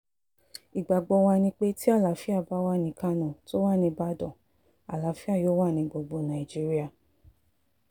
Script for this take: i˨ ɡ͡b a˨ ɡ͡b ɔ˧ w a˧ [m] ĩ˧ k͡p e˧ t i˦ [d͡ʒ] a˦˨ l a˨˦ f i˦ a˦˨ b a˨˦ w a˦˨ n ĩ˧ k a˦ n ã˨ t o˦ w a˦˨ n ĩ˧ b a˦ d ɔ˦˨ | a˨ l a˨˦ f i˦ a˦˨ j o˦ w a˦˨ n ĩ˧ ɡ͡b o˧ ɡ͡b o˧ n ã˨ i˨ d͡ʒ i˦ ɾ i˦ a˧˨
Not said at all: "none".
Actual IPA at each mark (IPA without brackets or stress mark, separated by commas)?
n, none